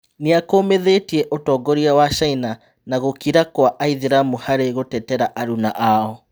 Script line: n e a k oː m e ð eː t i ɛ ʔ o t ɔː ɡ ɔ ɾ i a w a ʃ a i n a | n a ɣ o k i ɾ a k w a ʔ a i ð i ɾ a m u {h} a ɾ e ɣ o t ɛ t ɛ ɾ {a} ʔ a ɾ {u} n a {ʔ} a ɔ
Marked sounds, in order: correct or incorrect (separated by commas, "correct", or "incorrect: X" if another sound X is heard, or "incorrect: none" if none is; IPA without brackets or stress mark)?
correct, correct, correct, correct